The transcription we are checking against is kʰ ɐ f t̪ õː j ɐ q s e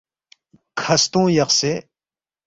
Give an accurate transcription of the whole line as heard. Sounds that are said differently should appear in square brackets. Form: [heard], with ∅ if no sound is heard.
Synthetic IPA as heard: kʰ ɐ [s] t̪ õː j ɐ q s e